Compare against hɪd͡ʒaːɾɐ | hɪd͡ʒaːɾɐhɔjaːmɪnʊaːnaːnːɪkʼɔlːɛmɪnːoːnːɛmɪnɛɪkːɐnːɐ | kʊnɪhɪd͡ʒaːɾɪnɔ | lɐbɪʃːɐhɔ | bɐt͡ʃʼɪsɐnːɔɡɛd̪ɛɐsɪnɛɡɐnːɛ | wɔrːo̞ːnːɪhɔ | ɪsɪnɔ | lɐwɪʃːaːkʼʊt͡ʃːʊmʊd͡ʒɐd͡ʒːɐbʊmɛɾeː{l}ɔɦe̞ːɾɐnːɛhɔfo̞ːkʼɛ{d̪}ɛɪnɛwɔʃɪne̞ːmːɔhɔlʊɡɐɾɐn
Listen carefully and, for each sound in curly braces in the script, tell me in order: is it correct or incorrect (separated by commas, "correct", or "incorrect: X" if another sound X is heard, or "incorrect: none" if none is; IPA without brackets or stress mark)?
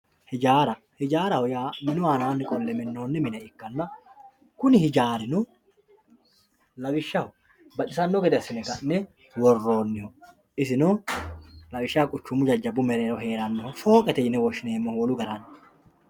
incorrect: ɾ, incorrect: t̪